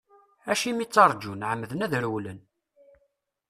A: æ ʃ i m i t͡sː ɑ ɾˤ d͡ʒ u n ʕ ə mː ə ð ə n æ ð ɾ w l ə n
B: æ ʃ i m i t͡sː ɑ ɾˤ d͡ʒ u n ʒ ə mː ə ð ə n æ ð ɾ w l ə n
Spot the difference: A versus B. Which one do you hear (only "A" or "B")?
A